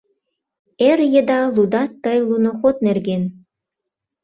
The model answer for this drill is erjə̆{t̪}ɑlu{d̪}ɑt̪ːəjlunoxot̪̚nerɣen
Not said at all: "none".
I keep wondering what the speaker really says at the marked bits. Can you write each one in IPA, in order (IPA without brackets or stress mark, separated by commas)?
d̪, d̪